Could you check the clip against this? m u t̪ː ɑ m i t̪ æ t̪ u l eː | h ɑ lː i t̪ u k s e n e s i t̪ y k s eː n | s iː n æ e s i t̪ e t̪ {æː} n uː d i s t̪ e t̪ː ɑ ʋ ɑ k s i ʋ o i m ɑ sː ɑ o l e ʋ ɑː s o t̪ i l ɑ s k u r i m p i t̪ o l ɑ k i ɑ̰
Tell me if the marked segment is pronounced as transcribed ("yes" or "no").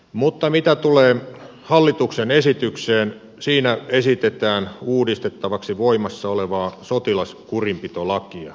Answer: yes